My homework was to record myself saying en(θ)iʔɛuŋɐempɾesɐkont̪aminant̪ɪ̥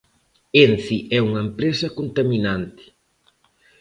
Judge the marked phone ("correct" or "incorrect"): correct